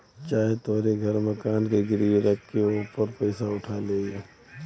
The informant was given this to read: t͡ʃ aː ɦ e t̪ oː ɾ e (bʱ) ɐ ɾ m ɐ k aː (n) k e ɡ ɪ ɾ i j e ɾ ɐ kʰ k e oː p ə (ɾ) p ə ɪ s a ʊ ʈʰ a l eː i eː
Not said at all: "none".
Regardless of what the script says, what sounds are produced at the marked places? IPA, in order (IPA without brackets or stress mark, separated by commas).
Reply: ɡʱ, n, ɾ